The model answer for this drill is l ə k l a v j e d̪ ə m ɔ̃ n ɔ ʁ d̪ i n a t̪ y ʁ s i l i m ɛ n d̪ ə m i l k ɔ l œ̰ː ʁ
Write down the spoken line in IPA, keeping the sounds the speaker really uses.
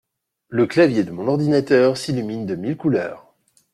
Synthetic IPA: l ə k l a v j e d̪ ə m ɔ̃ n ɔ ʁ d̪ i n a t̪ œ ʁ s i l y m i n d̪ ə m i l k u l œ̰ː ʁ